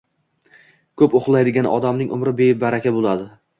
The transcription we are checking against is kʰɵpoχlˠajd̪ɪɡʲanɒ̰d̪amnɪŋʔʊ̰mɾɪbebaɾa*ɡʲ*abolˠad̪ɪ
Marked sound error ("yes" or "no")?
yes